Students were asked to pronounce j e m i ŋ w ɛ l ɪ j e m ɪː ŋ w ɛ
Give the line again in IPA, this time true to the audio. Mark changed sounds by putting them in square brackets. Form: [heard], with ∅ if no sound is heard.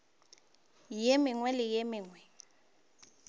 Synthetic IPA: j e m [ɪ] ŋ w ɛ l ɪ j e m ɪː ŋ w ɛ